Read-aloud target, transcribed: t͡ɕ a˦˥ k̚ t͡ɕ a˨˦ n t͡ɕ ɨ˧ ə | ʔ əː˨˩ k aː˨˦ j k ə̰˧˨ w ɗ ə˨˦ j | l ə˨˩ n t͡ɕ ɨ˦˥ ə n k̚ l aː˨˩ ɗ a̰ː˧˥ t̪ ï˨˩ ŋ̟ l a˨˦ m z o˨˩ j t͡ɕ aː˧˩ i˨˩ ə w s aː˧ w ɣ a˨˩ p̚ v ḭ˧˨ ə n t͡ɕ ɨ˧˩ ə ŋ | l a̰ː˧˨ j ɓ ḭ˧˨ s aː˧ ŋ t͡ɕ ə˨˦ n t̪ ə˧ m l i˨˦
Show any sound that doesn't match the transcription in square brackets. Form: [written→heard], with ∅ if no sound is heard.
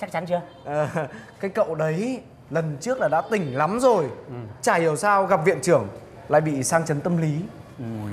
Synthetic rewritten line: t͡ɕ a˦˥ k̚ t͡ɕ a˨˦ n t͡ɕ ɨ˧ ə | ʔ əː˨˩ k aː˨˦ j k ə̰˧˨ w ɗ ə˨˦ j | l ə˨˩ n t͡ɕ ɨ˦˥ ə [n→∅] k̚ l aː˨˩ ɗ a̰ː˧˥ t̪ ï˨˩ ŋ̟ l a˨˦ m z o˨˩ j t͡ɕ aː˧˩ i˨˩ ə w s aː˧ w ɣ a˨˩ p̚ v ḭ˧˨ ə n t͡ɕ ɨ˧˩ ə ŋ | l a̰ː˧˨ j ɓ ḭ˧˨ s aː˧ ŋ t͡ɕ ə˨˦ n t̪ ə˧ m l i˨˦